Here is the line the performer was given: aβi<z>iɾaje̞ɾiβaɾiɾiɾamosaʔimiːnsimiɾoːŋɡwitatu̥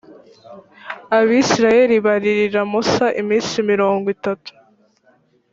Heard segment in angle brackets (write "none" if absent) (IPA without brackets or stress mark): s